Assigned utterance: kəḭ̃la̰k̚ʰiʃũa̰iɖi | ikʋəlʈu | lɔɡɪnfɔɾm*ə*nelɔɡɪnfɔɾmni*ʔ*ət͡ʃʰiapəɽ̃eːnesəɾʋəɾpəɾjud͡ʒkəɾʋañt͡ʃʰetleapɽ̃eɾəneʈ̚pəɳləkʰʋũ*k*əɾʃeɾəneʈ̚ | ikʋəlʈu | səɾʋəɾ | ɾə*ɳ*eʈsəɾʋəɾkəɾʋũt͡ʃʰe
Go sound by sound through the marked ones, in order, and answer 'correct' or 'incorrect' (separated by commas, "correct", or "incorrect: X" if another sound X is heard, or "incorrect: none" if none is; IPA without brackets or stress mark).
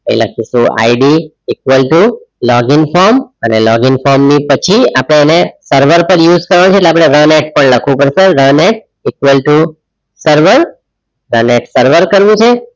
correct, incorrect: p, incorrect: p, incorrect: n